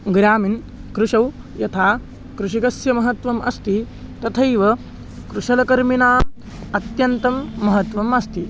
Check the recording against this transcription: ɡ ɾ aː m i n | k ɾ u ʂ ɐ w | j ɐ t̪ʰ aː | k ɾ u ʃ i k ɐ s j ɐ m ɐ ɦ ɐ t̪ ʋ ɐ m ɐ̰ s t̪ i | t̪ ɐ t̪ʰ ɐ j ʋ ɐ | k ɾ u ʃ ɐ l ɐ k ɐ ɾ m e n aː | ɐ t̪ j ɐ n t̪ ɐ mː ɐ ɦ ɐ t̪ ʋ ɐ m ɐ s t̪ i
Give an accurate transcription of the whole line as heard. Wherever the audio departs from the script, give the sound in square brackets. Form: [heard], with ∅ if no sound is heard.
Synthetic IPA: ɡ ɾ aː m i n | k ɾ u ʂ ɐ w | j ɐ t̪ʰ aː | k ɾ u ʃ i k ɐ s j ɐ m ɐ ɦ ɐ t̪ ʋ ɐ m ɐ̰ s t̪ i | t̪ ɐ t̪ʰ ɐ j ʋ ɐ | k ɾ u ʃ ɐ l ɐ k ɐ ɾ m [i] n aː | ɐ t̪ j ɐ n t̪ ɐ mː ɐ ɦ ɐ t̪ ʋ ɐ m ɐ s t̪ i